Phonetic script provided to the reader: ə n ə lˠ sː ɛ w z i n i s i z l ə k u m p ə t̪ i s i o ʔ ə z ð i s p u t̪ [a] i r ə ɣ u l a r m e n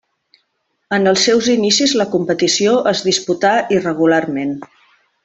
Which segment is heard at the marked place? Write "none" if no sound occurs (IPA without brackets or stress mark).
a